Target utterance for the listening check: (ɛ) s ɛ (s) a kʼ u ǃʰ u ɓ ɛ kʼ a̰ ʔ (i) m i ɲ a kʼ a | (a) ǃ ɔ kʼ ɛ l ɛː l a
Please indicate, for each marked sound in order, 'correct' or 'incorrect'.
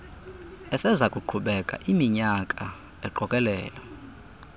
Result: correct, incorrect: z, correct, incorrect: ɛ

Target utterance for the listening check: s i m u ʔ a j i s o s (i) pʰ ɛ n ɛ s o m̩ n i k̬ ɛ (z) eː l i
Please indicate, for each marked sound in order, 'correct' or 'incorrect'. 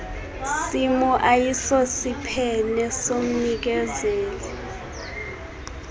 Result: correct, correct

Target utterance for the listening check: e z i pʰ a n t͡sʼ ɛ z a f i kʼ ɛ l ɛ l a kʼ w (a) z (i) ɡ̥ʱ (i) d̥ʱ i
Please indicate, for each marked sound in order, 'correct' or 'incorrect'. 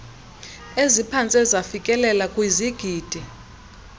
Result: incorrect: i, correct, incorrect: iː

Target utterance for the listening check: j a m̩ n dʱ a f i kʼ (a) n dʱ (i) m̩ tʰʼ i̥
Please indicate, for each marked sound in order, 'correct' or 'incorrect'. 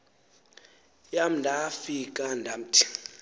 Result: correct, incorrect: a

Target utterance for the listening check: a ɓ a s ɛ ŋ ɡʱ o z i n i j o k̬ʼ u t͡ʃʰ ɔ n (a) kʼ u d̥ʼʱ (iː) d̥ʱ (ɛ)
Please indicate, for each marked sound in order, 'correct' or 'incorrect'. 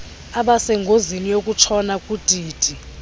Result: correct, correct, incorrect: i

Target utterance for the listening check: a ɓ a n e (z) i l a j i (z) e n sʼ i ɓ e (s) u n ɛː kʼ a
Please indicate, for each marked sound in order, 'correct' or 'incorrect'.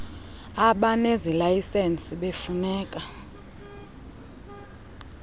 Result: correct, incorrect: s, incorrect: f

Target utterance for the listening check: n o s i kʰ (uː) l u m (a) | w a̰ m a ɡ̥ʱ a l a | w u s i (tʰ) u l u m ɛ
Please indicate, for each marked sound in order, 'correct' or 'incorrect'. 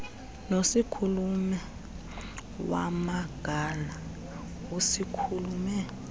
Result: incorrect: u, incorrect: ɛ, incorrect: kʰ

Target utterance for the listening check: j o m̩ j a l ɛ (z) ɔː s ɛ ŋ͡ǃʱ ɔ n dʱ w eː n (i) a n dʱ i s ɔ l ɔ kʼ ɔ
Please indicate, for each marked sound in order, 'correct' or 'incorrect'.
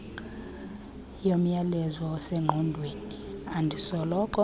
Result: correct, correct

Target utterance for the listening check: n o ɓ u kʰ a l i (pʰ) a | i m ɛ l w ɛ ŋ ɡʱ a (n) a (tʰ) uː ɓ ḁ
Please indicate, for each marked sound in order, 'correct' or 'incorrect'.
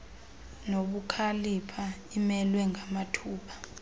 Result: correct, incorrect: m, correct

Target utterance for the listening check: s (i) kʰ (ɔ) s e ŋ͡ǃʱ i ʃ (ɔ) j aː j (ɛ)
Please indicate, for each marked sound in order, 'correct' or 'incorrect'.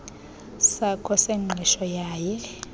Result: incorrect: a, correct, correct, correct

